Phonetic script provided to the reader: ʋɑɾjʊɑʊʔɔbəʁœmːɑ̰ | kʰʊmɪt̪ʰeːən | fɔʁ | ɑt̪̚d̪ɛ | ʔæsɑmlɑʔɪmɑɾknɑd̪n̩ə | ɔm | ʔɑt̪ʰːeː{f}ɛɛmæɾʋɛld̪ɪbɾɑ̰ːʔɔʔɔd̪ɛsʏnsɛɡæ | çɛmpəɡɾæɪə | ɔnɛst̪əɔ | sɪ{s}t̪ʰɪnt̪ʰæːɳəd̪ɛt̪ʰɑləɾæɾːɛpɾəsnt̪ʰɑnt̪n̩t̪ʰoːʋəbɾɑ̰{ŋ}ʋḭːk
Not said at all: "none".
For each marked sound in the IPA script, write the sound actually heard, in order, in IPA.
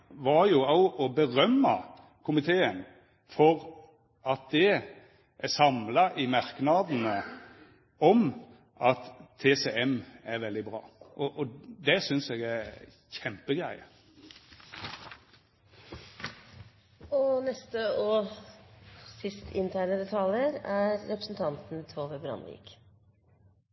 s, s, n

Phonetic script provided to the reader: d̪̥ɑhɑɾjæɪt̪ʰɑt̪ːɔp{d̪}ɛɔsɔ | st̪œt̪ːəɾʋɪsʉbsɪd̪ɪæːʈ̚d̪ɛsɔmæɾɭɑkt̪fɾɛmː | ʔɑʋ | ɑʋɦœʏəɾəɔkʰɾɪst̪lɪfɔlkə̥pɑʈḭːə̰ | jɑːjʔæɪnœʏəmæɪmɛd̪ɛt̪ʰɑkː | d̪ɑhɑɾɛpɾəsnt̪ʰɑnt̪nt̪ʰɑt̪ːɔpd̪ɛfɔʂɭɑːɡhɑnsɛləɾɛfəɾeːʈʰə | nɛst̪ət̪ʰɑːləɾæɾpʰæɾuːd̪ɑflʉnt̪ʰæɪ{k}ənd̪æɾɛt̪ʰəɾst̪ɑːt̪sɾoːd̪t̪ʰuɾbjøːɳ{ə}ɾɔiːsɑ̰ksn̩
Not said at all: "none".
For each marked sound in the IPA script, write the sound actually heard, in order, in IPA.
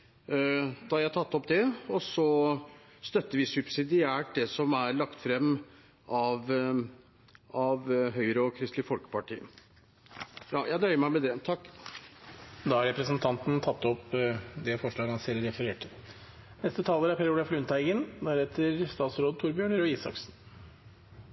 d̪, ɡ, ə

